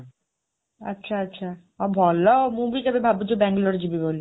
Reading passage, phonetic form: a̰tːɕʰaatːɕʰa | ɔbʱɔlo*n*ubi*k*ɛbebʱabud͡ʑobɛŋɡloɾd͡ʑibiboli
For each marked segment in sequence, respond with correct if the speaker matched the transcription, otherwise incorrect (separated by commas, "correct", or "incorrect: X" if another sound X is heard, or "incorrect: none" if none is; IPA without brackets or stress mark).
incorrect: m, correct